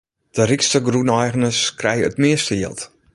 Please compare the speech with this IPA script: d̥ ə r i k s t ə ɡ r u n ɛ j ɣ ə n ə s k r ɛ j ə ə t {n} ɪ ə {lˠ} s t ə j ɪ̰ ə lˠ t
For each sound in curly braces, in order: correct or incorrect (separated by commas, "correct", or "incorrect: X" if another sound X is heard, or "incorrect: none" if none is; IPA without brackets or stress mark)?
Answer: incorrect: m, incorrect: none